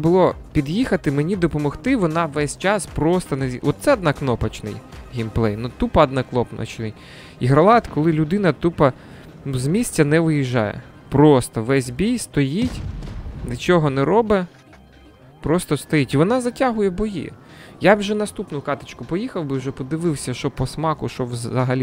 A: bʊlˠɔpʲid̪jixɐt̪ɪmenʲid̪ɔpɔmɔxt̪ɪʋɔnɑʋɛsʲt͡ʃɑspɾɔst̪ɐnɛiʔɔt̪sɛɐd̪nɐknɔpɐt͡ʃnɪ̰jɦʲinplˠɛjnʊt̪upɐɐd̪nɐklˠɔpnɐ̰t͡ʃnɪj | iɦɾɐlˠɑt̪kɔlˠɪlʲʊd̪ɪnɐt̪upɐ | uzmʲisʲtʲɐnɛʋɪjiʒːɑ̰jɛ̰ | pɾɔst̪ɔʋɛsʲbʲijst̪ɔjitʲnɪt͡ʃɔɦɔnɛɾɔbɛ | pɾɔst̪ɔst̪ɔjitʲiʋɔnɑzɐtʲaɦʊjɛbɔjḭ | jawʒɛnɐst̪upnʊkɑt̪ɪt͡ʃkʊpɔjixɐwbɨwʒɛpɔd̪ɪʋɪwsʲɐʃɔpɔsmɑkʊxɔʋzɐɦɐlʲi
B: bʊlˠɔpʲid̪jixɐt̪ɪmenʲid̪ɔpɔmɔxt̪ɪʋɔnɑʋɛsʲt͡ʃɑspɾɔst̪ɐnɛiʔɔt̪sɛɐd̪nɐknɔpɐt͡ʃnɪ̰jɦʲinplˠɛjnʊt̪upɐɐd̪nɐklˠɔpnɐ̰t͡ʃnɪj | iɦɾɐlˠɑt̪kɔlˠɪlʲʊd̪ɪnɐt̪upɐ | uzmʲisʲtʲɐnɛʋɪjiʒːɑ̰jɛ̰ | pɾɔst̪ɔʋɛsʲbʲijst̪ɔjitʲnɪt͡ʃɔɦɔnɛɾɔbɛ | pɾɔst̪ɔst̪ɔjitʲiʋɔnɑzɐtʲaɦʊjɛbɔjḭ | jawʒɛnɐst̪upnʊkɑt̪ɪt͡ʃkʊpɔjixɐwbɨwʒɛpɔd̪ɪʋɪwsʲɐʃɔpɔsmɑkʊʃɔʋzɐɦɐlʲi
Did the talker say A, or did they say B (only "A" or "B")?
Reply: B